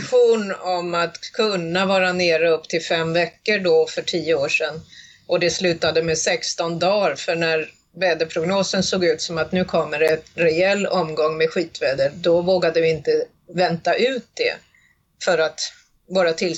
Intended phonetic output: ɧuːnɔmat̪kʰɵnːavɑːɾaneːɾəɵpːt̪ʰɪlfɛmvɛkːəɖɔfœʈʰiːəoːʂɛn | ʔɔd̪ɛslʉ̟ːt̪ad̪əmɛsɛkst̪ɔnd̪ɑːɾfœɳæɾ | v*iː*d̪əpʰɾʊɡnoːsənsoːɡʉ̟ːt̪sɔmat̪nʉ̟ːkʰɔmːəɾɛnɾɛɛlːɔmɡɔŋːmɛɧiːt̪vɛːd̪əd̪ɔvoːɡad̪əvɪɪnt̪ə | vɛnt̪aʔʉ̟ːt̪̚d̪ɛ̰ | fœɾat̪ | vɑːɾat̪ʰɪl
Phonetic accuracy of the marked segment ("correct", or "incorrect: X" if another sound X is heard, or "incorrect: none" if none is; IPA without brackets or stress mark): incorrect: ɛː